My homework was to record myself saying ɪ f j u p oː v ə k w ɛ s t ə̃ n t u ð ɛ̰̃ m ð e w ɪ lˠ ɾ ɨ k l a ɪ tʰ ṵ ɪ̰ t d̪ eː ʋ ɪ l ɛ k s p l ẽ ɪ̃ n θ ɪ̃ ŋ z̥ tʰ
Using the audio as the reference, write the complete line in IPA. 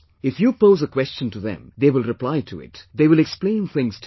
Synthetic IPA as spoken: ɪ f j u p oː z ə k w ɛ s t͡ʃ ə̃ n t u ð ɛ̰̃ m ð e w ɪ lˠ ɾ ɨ p l a ɪ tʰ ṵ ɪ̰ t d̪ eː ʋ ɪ l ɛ k s p l ẽ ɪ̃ n θ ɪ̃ ŋ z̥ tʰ